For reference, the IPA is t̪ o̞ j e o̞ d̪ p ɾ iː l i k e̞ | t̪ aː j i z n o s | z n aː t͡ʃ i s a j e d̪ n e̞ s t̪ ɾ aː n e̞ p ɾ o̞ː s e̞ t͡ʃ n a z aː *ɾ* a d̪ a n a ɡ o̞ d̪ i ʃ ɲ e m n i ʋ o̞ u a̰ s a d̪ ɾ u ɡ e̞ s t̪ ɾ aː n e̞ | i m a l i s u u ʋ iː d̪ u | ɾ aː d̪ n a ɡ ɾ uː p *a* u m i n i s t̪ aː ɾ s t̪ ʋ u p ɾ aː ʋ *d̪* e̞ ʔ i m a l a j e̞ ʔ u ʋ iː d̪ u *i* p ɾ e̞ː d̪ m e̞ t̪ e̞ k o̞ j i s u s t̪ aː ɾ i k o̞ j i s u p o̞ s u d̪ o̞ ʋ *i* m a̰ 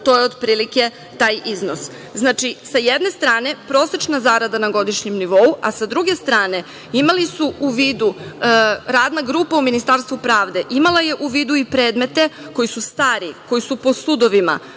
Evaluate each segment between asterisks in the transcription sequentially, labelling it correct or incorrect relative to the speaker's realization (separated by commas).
correct, correct, correct, correct, correct